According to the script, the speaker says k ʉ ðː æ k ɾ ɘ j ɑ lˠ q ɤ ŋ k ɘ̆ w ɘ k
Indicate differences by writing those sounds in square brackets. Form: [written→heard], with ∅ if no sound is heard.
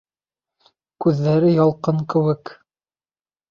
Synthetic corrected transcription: k ʉ ðː æ [k→∅] ɾ ɘ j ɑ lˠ q ɤ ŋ k ɘ̆ w ɘ k

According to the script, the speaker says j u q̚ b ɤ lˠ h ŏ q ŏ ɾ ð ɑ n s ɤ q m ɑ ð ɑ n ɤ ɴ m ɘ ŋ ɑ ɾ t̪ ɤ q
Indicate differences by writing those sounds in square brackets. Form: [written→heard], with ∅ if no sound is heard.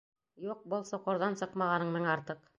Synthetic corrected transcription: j u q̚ b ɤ lˠ [h→s] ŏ q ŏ ɾ ð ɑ n s ɤ q m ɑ [ð→ʁ] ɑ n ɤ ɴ m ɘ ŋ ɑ ɾ t̪ ɤ q

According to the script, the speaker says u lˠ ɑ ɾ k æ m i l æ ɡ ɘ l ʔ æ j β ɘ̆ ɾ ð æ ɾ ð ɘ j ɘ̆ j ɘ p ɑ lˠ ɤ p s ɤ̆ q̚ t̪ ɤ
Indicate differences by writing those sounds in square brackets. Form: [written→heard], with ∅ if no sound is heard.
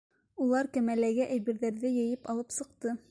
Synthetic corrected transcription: u lˠ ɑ ɾ k æ m [i→æ] l æ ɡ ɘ [l→∅] ʔ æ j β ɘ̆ ɾ ð æ ɾ ð ɘ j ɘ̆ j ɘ p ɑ lˠ ɤ p s ɤ̆ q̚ t̪ ɤ

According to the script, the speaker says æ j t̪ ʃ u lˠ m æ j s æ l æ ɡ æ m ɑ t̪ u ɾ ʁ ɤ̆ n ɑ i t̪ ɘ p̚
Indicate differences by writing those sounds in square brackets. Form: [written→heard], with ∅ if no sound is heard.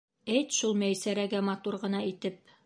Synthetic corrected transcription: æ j t̪ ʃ u lˠ m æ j s æ [l→ɾ] æ ɡ æ m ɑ t̪ u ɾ ʁ ɤ̆ n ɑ i t̪ ɘ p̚

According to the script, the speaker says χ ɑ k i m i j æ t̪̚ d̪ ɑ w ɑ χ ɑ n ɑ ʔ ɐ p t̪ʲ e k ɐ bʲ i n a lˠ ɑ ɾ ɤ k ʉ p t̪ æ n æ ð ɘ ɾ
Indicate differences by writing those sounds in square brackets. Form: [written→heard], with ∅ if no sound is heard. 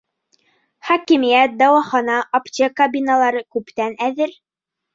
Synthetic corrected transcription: χ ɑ k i m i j æ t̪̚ d̪ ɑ w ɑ χ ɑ n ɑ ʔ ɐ p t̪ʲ e k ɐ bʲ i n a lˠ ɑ ɾ ɤ k ʉ p t̪ æ n æ ð ɘ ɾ

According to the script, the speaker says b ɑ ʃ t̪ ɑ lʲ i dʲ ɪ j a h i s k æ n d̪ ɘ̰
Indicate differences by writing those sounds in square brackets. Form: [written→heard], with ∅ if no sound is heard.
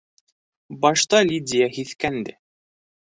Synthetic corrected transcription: b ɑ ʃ t̪ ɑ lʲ i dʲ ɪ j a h i [s→θ] k æ n d̪ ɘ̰

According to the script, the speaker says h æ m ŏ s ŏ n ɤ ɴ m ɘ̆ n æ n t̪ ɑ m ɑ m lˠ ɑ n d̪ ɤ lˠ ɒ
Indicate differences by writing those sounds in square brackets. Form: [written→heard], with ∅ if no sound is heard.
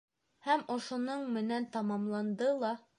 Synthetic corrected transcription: h æ m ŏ [s→ʃ] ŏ n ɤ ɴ m ɘ̆ n æ n t̪ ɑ m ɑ m lˠ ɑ n d̪ ɤ lˠ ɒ

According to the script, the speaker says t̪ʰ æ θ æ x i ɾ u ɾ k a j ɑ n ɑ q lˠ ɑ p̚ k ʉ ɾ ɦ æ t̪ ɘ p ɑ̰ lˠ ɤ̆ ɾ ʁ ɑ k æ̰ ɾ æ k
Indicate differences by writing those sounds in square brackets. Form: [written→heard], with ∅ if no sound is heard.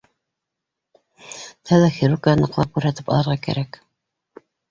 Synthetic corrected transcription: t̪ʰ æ [θ→ð] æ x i ɾ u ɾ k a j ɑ n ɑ q lˠ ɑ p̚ k ʉ ɾ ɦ æ t̪ ɘ p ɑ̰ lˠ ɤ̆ ɾ ʁ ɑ k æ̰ ɾ æ k

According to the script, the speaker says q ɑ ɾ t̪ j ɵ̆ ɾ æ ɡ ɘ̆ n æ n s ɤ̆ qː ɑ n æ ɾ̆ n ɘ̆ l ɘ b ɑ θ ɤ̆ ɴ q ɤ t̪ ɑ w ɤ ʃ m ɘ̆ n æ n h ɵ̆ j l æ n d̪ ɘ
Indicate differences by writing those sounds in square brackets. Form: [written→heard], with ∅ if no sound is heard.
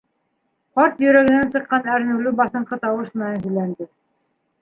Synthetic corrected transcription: q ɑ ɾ t̪ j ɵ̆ ɾ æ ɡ ɘ̆ n æ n s ɤ̆ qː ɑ n æ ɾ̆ n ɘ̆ l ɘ b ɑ θ ɤ̆ ɴ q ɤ t̪ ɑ w ɤ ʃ m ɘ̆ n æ n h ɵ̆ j l æ n d̪ ɘ

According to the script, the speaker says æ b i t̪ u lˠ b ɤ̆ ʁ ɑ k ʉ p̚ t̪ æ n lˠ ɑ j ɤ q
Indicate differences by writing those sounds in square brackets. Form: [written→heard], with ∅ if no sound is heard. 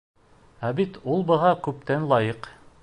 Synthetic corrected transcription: æ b i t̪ u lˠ b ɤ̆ ʁ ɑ k ʉ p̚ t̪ æ n lˠ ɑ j ɤ q

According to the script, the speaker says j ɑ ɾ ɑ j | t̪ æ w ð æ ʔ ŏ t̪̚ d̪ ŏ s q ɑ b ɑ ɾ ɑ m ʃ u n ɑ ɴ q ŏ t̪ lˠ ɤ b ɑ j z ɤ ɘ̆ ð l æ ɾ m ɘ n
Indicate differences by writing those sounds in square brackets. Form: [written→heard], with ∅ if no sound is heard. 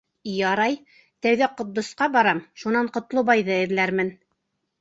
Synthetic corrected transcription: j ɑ ɾ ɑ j | t̪ æ w ð æ [ʔ→q] ŏ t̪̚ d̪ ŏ s q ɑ b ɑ ɾ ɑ m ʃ u n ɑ ɴ q ŏ t̪ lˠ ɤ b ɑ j [z→ð] ɤ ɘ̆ ð l æ ɾ m ɘ n

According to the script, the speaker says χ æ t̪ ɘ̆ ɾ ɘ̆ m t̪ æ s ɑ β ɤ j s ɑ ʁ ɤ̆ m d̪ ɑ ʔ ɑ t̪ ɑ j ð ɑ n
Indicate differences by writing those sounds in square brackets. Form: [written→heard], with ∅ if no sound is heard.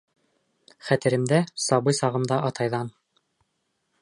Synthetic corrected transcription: χ æ t̪ ɘ̆ ɾ ɘ̆ m [t̪→d̪] æ s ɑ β ɤ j s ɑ ʁ ɤ̆ m d̪ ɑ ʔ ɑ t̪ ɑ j ð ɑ n

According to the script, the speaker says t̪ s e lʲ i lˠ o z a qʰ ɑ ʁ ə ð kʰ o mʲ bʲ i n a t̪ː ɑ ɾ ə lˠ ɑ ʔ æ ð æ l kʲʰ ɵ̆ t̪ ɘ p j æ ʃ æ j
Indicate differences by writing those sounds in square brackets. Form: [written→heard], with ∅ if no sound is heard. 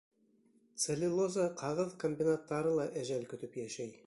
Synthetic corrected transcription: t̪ s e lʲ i lˠ o z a qʰ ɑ ʁ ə ð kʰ o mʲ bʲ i n a t̪ː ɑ ɾ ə lˠ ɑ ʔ æ [ð→ʒ] æ l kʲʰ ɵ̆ t̪ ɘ p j æ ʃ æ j

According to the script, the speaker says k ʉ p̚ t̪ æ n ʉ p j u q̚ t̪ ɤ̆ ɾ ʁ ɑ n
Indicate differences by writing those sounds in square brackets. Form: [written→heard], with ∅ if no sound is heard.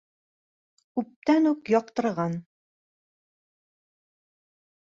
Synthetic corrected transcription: k ʉ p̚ t̪ æ n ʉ [p→k] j [u→ɒ] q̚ t̪ ɤ̆ ɾ ʁ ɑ n

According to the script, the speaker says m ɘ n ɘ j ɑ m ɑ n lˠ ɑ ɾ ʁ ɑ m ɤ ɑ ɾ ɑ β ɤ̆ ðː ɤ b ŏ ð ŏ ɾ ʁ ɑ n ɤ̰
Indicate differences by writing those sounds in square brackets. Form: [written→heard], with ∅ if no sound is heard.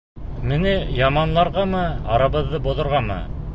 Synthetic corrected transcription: m ɘ n ɘ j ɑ m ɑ n lˠ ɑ ɾ ʁ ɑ m ɤ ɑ ɾ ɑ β ɤ̆ ðː ɤ b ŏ ð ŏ ɾ ʁ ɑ [n→m] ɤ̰

